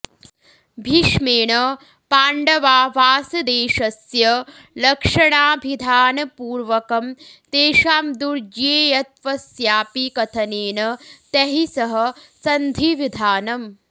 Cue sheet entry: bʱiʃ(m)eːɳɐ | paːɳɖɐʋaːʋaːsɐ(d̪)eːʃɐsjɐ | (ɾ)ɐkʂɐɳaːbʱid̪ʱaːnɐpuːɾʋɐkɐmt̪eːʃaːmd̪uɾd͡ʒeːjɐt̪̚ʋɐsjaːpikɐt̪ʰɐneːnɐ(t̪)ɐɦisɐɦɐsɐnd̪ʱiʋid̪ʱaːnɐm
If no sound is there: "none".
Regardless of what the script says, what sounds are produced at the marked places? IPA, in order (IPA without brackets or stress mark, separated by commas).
m, d̪, l, t̪